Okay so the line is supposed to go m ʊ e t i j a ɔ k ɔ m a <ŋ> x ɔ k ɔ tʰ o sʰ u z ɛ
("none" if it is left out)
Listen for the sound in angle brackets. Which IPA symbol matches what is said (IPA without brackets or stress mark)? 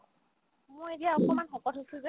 n